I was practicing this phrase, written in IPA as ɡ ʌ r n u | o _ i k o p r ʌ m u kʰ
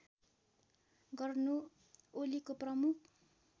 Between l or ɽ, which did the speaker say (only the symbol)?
l